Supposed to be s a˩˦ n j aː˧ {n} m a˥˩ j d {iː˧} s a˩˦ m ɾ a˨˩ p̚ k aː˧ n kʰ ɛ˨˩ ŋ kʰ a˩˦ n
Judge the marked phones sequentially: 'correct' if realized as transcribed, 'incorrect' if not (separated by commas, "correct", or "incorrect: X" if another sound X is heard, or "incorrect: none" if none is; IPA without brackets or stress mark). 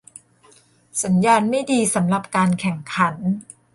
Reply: correct, correct